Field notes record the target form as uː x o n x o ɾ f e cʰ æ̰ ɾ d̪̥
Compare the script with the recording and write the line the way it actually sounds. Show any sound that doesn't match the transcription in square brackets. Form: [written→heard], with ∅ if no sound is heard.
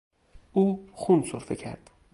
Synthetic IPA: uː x [o→u] n [x→s] o ɾ f e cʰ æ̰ ɾ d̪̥